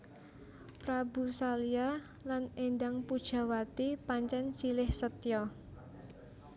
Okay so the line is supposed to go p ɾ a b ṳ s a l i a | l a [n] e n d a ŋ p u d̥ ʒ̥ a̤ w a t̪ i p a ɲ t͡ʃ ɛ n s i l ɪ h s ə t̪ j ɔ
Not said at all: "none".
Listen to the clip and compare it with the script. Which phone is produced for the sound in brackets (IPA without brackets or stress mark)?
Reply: n